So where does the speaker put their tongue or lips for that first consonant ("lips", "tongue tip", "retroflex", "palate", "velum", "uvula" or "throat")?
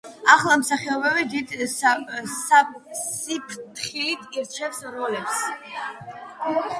uvula